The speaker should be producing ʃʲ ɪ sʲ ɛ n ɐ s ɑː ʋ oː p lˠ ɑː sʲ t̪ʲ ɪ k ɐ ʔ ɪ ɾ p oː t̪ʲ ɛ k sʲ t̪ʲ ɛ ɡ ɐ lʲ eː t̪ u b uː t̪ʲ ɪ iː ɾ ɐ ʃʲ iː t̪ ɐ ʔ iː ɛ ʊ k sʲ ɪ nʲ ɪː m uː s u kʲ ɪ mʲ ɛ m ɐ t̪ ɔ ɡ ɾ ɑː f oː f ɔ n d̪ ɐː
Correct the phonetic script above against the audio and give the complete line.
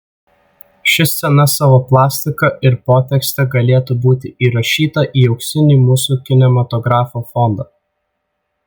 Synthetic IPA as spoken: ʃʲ ɪ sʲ ɛ n ɐ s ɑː ʋ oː p lˠ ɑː sʲ t̪ʲ ɪ k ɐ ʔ ɪ ɾ p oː t̪ʲ ɛ k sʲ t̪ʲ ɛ ɡ ɐ lʲ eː t̪ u b uː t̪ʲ ɪ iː ɾ ɐ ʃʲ iː t̪ ɐ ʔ iː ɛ ʊ k sʲ ɪ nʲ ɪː m uː s u kʲ ɪ nʲ ɛ m ɐ t̪ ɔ ɡ ɾ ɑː f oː f ɔ n d̪ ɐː